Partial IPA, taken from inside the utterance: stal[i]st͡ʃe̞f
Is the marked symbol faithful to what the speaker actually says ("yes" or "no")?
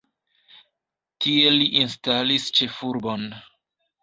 yes